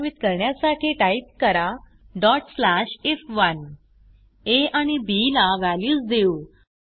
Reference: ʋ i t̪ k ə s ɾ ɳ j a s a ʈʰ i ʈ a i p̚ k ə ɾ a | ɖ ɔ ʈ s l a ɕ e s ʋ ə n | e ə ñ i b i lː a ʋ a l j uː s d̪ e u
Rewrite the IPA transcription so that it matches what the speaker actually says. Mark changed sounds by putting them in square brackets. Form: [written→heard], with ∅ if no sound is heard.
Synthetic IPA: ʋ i t̪ k ə [s→∅] ɾ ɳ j a s a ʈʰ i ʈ a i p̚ k ə ɾ a | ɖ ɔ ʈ s l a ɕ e [s→f] ʋ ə n | e [ə→a] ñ i b i [lː→l] a ʋ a l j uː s d̪ e u

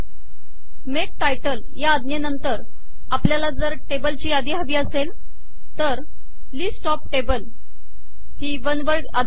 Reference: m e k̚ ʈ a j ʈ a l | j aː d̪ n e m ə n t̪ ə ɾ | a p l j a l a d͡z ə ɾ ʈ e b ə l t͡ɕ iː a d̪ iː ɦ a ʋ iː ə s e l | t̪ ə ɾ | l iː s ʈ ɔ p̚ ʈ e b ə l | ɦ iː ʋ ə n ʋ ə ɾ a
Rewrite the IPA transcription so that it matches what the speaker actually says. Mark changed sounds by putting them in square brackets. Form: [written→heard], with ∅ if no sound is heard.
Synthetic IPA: m e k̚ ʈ a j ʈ [a→ə] l | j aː d̪ n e [m→n] ə n t̪ ə ɾ | a p l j a l a d͡z ə ɾ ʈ e b ə l t͡ɕ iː a d̪ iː ɦ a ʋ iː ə s e l | t̪ ə ɾ | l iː s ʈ ɔ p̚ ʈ e b ə l | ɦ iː ʋ ə n ʋ ə ɾ a

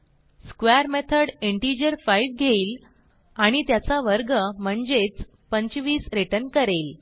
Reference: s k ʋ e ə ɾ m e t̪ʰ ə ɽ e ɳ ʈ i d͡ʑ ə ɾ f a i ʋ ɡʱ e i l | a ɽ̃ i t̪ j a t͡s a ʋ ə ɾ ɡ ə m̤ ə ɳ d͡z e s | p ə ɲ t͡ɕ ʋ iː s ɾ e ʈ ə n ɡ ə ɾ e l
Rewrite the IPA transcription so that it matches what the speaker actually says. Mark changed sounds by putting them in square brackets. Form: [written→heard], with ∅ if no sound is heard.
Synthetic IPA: s k ʋ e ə ɾ m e t̪ʰ ə ɽ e ɳ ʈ i d͡ʑ ə ɾ f a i ʋ ɡʱ e [i→iː] l | a ɽ̃ i t̪ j a t͡s a ʋ ə ɾ ɡ ə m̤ ə ɳ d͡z e [s→t͡s] | p ə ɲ t͡ɕ ʋ iː s ɾ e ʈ ə n [ɡ→k] ə ɾ e l

